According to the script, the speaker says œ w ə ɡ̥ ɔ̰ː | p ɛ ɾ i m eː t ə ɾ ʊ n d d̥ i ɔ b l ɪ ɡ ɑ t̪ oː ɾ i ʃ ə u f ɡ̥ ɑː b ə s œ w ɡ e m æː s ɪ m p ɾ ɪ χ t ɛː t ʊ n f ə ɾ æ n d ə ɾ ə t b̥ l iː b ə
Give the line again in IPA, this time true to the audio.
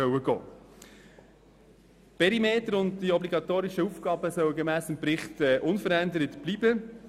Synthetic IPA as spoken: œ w ə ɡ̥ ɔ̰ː | p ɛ ɾ i m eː t ə ɾ ʊ n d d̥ i ɔ b l i ɡ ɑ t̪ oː ɾ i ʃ ə u f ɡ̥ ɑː b ə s œ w ɡ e m æː s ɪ m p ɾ ɪ χ t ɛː ʔ ʊ n f ə ɾ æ n d ə ɾ ə t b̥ l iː b ə